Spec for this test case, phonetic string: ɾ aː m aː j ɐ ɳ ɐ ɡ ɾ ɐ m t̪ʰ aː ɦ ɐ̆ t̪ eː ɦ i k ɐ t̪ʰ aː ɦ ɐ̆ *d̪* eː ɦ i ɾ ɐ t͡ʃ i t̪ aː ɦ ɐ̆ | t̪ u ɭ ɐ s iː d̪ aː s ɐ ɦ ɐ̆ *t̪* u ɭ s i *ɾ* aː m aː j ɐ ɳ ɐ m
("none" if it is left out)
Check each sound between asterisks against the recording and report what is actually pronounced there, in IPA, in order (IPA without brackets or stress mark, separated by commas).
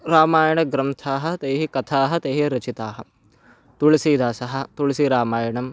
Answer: t̪, t̪, ɾ